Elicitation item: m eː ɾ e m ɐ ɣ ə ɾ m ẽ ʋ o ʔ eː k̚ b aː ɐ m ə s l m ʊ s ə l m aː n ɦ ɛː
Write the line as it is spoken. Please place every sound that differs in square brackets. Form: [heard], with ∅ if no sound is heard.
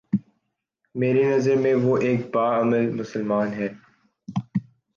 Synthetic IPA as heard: m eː ɾ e [n] ɐ [z] ə ɾ m ẽ ʋ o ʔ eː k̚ b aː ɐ m ə [∅] l m ʊ s ə l m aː n ɦ ɛː